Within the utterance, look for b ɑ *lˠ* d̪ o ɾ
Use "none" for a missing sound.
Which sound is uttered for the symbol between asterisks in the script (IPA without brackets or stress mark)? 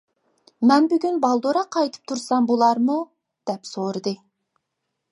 lˠ